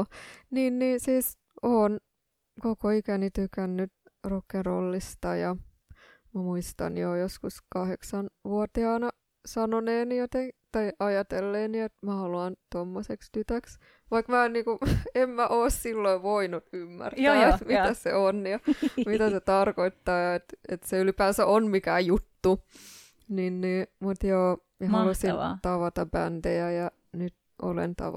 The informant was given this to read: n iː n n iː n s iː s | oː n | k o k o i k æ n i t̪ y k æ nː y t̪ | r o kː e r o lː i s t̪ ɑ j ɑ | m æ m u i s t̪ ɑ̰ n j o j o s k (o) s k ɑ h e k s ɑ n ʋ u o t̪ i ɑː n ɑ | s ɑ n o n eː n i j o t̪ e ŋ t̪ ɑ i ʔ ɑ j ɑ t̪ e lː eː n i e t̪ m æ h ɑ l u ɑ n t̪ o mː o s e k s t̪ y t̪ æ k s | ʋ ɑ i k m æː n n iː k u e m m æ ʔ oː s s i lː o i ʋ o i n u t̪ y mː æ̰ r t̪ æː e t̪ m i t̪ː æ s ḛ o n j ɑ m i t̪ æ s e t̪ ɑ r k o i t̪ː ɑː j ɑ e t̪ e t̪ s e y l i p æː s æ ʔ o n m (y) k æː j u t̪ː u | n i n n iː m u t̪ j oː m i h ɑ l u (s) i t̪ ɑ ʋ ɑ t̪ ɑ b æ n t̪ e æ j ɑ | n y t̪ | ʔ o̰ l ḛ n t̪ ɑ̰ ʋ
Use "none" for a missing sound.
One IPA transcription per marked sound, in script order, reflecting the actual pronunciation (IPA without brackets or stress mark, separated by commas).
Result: u, i, s